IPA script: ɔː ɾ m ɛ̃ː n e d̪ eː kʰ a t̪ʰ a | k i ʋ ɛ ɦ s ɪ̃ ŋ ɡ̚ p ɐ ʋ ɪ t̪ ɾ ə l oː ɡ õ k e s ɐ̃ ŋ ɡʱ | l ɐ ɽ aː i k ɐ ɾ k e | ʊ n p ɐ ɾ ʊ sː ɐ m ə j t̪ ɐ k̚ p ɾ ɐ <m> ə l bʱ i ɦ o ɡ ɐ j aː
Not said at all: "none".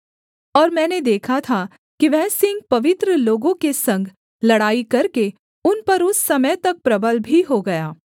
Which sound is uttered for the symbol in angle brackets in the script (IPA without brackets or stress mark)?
b